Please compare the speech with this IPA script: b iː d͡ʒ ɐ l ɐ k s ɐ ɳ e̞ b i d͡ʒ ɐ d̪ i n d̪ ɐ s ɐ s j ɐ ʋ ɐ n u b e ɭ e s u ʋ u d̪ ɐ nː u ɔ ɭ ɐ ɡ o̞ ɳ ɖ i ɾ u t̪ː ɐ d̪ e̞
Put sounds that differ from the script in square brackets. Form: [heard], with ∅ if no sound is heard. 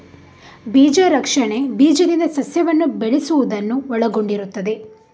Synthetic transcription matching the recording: b iː d͡ʒ ɐ [ɾ] ɐ k [ʂ] ɐ ɳ e̞ b [iː] d͡ʒ ɐ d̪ i n d̪ ɐ s ɐ s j ɐ ʋ ɐ [nː] u b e ɭ e s u ʋ u d̪ ɐ nː u ɔ ɭ ɐ ɡ o̞ ɳ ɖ i ɾ u t̪ː ɐ d̪ e̞